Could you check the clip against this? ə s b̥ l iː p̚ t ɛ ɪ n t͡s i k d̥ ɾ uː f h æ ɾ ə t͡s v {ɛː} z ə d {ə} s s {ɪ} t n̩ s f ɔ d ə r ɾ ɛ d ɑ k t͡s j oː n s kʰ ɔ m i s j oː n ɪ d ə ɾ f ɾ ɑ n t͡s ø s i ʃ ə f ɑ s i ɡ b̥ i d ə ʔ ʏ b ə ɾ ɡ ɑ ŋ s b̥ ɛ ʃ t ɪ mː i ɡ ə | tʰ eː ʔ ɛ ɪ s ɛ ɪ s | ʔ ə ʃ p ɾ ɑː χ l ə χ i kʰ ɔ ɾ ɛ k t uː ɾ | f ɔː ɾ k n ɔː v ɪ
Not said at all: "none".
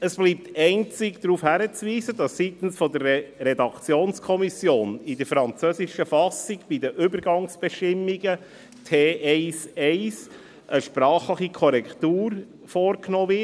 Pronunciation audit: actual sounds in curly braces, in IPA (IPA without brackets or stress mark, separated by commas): iː, ɑ, i